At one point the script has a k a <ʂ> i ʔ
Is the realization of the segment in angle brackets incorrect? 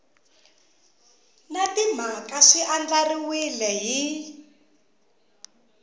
no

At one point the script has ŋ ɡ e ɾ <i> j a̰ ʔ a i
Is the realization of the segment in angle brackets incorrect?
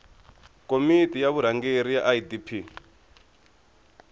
no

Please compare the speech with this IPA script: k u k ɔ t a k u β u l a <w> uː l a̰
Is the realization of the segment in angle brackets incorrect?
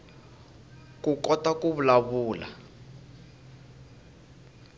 yes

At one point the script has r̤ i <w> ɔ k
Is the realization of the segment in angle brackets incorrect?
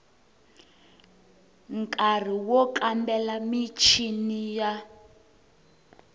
no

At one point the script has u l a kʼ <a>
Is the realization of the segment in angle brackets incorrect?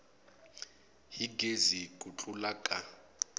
no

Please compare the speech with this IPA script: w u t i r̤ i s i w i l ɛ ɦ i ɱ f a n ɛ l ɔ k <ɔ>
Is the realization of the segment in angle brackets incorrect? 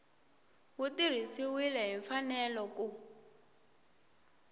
yes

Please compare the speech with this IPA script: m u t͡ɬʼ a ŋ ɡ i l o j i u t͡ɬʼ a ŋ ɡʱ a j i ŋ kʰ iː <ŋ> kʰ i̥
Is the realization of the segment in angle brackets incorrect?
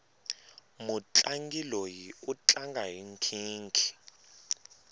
no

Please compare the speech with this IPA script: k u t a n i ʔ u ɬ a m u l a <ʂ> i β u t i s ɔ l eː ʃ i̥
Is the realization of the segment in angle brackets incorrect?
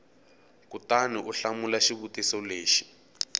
yes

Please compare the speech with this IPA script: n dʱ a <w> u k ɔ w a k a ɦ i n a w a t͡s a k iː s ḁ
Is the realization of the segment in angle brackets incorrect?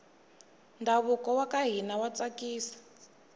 yes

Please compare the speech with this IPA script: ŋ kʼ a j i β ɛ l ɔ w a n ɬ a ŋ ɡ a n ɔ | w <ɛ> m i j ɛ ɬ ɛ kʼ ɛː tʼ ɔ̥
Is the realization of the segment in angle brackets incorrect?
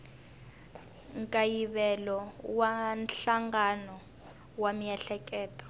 yes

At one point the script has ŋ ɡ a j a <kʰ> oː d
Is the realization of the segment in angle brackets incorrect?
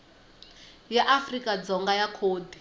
no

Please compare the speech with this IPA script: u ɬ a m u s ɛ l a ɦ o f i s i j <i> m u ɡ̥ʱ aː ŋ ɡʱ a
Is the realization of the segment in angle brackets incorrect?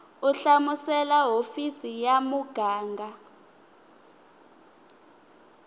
yes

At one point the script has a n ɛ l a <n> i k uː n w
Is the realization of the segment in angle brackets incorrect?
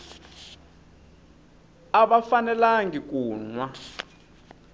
yes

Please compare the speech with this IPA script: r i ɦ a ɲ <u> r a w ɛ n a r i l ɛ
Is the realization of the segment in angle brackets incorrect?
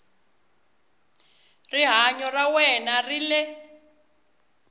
yes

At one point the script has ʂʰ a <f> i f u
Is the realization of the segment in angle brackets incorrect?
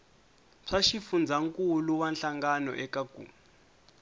yes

